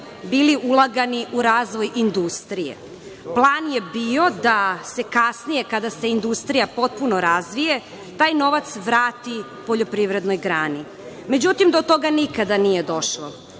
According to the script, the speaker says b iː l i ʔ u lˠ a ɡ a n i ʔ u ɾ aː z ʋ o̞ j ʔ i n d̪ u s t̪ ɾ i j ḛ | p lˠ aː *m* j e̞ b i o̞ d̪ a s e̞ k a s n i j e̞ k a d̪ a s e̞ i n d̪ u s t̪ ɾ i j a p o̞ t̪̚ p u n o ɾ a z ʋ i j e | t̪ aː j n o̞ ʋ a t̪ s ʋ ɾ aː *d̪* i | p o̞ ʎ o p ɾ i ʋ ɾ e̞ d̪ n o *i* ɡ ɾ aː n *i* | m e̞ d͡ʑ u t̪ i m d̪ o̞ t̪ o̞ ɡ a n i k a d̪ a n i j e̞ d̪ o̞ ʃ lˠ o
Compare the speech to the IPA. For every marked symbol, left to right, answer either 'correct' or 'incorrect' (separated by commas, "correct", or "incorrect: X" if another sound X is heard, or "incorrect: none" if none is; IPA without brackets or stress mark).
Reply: incorrect: n, incorrect: t̪, incorrect: j, correct